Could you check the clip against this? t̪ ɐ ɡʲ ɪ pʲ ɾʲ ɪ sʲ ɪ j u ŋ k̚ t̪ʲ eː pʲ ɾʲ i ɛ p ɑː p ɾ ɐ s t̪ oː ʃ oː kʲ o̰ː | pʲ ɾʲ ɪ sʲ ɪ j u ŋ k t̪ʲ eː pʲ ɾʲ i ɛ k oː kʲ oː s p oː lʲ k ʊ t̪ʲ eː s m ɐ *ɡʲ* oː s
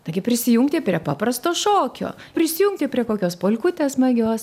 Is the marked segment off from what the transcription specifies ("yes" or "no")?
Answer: no